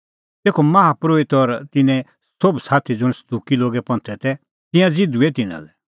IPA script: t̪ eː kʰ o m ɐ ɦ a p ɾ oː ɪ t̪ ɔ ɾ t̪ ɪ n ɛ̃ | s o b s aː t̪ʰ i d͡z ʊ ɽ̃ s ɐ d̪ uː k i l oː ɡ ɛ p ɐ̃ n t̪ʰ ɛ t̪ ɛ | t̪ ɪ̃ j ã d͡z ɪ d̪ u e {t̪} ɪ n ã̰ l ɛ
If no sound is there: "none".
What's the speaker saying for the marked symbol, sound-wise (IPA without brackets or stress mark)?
t̪